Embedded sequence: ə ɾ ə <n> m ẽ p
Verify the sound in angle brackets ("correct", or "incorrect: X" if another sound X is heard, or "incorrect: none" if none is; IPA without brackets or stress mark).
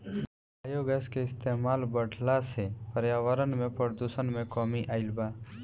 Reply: correct